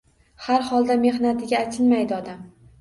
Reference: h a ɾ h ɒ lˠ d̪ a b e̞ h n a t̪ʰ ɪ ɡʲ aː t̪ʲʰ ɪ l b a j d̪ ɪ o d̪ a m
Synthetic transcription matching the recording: h a ɾ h ɒ lˠ d̪ a m e̞ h n a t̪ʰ ɪ ɡʲ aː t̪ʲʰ ɪ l m a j d̪ ɪ ɒ d̪ a m

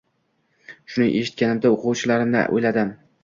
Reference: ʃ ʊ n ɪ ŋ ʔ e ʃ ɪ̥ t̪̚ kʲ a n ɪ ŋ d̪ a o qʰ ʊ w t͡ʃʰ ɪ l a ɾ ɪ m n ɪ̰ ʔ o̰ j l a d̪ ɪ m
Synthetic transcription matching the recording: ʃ ʊ n ɪ ŋ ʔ e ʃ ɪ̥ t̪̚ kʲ a n ɪ m d̪ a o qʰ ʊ w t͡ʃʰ ɪ l a ɾ ɪ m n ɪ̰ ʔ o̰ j l a d̪ ɪ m

